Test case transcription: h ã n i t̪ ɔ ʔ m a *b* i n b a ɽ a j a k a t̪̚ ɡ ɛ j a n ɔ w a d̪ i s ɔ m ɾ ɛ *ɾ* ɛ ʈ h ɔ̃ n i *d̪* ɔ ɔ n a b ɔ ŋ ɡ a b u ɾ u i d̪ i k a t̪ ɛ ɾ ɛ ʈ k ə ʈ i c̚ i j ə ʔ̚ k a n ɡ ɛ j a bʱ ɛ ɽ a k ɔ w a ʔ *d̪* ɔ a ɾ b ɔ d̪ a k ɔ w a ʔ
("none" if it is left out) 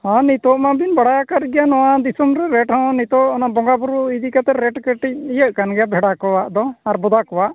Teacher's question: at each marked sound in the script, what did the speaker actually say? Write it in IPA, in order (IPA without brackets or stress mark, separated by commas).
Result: b, ɾ, t̪, d̪